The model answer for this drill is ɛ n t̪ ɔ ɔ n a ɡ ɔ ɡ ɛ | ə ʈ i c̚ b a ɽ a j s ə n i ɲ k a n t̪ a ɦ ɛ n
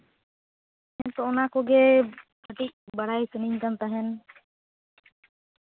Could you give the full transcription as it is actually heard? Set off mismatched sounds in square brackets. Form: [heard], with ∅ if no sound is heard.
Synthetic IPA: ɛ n t̪ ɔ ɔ n a [k] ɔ ɡ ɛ | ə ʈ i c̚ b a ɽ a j s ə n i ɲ k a n t̪ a ɦ ɛ n